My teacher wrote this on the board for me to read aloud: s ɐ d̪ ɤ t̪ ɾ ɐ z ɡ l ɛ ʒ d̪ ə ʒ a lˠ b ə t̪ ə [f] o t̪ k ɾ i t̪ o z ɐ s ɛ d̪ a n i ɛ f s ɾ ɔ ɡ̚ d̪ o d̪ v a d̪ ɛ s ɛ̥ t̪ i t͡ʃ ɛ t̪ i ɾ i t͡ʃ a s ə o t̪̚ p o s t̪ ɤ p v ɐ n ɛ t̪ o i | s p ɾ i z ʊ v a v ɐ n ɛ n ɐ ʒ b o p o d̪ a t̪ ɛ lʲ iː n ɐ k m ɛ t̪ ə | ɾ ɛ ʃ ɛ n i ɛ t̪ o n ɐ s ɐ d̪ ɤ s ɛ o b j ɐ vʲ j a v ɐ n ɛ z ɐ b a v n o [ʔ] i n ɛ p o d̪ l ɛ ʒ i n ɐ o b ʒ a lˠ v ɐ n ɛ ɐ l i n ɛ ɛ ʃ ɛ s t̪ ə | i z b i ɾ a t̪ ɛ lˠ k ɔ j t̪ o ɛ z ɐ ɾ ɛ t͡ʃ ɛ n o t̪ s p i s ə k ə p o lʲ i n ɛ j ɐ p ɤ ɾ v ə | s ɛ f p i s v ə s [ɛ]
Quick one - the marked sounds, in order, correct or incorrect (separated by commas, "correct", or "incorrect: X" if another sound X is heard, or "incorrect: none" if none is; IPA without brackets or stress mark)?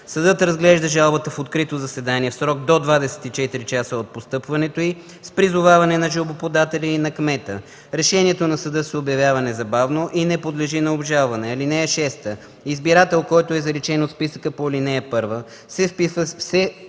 correct, correct, correct